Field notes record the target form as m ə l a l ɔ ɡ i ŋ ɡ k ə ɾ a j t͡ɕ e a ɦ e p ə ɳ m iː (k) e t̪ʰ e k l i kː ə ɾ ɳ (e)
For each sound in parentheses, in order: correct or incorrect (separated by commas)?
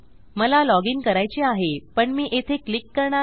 incorrect, incorrect